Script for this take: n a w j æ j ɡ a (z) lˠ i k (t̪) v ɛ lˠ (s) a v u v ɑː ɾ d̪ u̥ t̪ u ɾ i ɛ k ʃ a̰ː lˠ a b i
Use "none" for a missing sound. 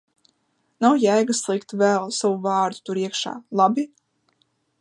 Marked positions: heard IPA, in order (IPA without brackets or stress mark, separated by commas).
s, t̪, s